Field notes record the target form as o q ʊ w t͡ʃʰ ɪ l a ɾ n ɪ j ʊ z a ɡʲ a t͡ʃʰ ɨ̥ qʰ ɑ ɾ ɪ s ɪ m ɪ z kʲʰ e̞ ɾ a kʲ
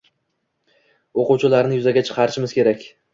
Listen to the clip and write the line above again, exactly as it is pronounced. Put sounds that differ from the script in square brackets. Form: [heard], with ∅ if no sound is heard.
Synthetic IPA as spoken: o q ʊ w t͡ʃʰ ɪ l a ɾ n ɪ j ʊ z a ɡʲ a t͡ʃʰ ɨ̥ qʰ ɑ ɾ ɪ [ʃ] ɪ m ɪ z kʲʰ e̞ ɾ a kʲ